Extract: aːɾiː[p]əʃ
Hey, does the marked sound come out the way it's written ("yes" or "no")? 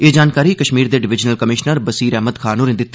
no